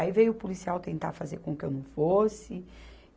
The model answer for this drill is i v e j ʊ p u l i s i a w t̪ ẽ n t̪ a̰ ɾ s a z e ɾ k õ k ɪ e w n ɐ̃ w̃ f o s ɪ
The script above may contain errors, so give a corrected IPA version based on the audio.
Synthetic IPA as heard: i v e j ʊ p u l i s i a w t̪ ẽ n t̪ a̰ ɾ f a z e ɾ k õ k ɪ e w n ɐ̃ w̃ f o s ɪ